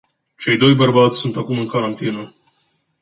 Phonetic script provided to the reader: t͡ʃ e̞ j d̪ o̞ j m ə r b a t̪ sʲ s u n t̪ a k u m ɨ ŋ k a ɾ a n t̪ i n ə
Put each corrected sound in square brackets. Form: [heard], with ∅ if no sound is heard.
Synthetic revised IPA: t͡ʃ e̞ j d̪ o̞ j [b] ə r b a t̪ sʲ s u n t̪ a k u m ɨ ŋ k a ɾ a n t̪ i n ə

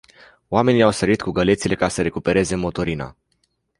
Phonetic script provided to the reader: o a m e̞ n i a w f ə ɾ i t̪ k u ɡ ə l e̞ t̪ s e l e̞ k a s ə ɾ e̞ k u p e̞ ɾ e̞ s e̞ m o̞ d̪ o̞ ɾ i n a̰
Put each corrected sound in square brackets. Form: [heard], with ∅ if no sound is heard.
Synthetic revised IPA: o a m e̞ n i a w [s] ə ɾ i t̪ k u ɡ ə l e̞ t̪ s [i] l e̞ k a s ə ɾ e̞ k u p e̞ ɾ e̞ [z] e̞ m o̞ [t̪] o̞ ɾ i n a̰

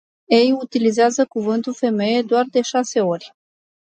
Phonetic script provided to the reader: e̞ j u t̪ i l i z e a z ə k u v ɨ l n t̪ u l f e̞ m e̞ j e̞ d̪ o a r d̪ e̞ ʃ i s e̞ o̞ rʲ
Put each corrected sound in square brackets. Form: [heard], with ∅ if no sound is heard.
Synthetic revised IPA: e̞ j u t̪ i l i z e a z ə k u v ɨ [∅] n t̪ u l f e̞ m e̞ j e̞ d̪ o a r d̪ e̞ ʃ [a] s e̞ o̞ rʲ

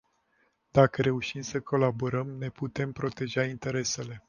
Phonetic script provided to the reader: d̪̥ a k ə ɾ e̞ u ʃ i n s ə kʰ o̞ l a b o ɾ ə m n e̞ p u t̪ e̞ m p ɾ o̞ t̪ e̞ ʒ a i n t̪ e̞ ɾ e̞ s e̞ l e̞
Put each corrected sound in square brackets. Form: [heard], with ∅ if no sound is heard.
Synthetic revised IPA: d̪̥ a k ə ɾ e̞ u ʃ i [m] s ə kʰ o̞ l a b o ɾ ə m n e̞ p u t̪ e̞ m p ɾ o̞ t̪ e̞ ʒ a i n t̪ e̞ ɾ e̞ s e̞ l e̞

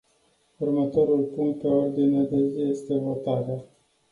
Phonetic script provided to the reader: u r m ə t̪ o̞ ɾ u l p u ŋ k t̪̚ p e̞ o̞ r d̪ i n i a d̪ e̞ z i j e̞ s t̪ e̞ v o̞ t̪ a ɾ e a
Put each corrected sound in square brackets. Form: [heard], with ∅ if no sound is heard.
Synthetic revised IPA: u r m ə t̪ o̞ ɾ u l p u ŋ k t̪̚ p e̞ o̞ r d̪ i n [e] a d̪ e̞ z i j e̞ s t̪ e̞ v o̞ t̪ a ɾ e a

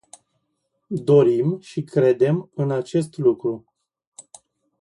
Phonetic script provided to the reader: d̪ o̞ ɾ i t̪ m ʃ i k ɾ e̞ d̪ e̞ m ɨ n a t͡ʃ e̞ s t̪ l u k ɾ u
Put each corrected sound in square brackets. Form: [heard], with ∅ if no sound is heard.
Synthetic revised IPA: d̪ o̞ ɾ i [∅] m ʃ i k ɾ e̞ d̪ e̞ m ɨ n a t͡ʃ e̞ s t̪ l u k ɾ u

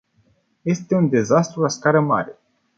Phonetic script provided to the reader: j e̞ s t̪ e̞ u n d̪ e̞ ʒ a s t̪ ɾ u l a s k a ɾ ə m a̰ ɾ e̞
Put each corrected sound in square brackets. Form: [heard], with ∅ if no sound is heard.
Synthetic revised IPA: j e̞ s t̪ e̞ u n d̪ e̞ [z] a s t̪ ɾ u l a s k a ɾ ə m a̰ ɾ e̞

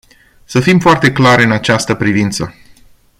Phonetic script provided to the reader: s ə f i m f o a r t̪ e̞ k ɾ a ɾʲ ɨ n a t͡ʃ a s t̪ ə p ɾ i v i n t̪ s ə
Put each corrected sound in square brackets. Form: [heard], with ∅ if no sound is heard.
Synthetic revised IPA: s ə f i m f o a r t̪ e̞ k [l] a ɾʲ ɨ n a t͡ʃ a s t̪ ə p ɾ i v i n t̪ s ə

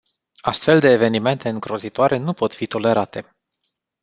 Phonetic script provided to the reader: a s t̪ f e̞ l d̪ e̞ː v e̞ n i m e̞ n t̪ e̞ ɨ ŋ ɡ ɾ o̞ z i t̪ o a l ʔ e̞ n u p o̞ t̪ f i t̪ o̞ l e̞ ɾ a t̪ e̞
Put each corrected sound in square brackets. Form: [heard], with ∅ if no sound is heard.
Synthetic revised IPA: a s t̪ f e̞ l d̪ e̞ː v e̞ n i m e̞ n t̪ e̞ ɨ ŋ ɡ ɾ o̞ z i t̪ o a [ɾ] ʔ e̞ n u p o̞ t̪ f i t̪ o̞ l e̞ ɾ a t̪ e̞

